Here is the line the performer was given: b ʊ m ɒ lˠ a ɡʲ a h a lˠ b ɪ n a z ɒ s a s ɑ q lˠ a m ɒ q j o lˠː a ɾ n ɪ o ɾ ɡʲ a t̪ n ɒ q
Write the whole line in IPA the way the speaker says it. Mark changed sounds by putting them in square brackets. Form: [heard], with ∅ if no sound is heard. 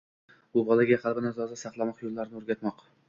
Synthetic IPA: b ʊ [b] ɒ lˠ a ɡʲ a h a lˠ b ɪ n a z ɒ [z] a s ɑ q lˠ a m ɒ q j o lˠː a ɾ n ɪ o ɾ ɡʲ a t̪ [m] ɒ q